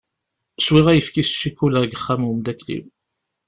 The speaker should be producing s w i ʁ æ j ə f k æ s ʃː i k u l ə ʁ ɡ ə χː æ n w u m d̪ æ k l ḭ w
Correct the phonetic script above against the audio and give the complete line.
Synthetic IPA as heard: s w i ʁ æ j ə f k i s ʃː i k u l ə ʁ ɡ ə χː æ m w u m d̪ æ k l ḭ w